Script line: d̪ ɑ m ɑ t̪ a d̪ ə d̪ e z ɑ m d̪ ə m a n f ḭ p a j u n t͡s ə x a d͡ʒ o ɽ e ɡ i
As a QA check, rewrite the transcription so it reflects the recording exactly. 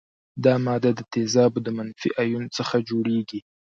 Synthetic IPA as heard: d̪ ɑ m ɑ d̪ a d̪ ə t̪ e z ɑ b d̪ ə m a n f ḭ ʔ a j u n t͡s ə x a d͡ʒ o ɽ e ɡ i